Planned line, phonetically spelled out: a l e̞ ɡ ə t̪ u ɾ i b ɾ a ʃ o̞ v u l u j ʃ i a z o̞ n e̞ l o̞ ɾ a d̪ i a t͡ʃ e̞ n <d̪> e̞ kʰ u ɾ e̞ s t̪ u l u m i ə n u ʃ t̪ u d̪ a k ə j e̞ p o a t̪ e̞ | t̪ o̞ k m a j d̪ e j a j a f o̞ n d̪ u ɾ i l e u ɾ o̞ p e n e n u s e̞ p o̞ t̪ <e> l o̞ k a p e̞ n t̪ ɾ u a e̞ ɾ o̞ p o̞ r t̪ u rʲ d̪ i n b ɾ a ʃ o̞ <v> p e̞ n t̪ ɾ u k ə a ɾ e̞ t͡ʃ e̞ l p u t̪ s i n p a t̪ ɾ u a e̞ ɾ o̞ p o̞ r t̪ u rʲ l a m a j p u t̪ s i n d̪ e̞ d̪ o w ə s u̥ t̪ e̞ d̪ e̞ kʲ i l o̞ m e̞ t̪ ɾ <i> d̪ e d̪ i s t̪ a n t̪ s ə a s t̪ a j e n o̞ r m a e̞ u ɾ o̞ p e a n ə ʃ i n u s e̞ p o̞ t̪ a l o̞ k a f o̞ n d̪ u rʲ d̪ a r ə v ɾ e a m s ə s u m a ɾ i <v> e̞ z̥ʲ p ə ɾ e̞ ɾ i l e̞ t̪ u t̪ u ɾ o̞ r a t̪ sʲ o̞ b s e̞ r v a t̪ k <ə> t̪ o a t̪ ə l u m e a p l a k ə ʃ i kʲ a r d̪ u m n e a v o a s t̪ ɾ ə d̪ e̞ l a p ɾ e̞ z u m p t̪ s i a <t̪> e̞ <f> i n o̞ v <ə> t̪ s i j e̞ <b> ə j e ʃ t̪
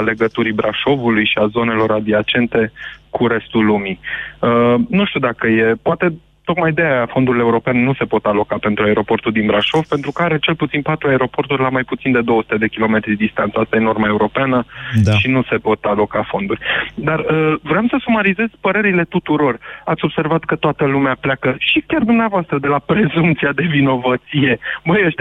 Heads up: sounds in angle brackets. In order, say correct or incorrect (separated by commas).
incorrect, incorrect, correct, correct, incorrect, correct, incorrect, incorrect, correct, correct